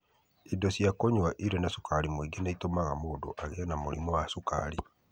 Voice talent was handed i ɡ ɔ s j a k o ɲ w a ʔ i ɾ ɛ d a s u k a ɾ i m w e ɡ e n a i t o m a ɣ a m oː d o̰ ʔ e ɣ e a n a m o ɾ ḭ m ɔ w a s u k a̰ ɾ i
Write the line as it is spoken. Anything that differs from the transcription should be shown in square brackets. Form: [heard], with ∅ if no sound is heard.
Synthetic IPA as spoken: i [d] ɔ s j a k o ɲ w a ʔ i ɾ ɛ [n] a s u k a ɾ i m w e ɡ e n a i t o m a ɣ a m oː d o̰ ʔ [a] ɣ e a n a m o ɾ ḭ m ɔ w a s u k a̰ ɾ i